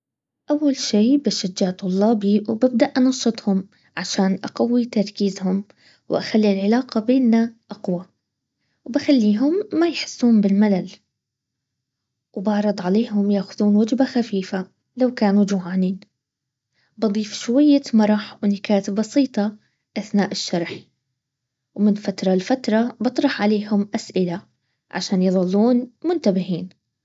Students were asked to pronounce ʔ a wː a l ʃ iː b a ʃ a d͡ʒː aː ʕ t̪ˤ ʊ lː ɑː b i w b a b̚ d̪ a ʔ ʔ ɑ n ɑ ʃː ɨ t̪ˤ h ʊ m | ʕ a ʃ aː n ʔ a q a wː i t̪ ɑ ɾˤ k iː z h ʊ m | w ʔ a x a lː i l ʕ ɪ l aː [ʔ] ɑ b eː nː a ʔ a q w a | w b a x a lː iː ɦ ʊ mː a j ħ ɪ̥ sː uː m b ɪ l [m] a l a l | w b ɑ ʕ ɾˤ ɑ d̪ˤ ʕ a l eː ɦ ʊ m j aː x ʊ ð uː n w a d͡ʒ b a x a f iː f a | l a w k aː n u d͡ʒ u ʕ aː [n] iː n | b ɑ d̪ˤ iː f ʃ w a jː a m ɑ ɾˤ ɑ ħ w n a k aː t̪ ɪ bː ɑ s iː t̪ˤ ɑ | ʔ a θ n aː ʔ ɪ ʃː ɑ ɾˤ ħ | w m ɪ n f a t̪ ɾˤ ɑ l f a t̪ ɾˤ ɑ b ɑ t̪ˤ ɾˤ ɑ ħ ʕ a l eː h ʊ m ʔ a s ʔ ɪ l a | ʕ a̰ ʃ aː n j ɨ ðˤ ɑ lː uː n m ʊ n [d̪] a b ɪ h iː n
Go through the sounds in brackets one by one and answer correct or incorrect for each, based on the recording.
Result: incorrect, correct, correct, incorrect

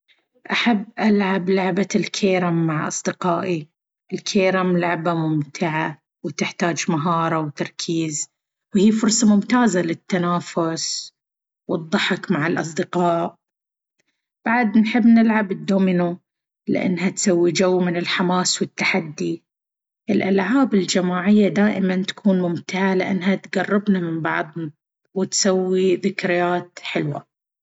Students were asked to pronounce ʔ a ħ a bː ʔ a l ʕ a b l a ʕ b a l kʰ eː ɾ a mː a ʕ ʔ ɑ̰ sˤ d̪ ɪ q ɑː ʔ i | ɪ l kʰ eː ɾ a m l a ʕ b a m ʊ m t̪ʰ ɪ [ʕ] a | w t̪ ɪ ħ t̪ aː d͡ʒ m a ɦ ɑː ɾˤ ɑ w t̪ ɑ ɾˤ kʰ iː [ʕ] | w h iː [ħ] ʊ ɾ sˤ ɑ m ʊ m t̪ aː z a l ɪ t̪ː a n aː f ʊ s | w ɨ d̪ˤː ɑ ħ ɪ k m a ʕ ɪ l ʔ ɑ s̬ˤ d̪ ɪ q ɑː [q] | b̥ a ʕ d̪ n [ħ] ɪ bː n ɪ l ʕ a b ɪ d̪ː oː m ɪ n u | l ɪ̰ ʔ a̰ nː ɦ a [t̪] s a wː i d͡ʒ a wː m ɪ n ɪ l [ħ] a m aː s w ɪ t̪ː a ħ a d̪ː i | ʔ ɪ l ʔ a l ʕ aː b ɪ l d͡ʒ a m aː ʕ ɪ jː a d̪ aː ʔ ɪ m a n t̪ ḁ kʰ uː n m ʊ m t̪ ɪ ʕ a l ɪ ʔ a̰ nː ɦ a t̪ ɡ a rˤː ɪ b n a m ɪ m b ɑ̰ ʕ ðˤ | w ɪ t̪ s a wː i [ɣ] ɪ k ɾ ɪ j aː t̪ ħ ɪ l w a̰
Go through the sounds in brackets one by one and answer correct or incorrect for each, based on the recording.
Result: correct, incorrect, incorrect, incorrect, correct, correct, correct, incorrect

